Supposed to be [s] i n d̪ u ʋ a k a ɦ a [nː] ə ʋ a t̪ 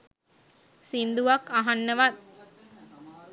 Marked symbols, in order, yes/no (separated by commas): yes, yes